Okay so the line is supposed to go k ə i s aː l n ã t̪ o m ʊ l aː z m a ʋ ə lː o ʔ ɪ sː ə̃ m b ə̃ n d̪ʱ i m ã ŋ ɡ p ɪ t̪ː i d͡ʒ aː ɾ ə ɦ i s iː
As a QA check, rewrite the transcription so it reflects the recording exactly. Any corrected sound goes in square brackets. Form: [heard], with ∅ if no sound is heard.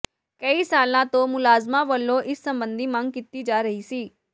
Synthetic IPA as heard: k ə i s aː l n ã t̪ o m ʊ l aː z m a ʋ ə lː o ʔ ɪ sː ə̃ m b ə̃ n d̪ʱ i m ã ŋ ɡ [k] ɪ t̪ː i d͡ʒ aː ɾ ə ɦ i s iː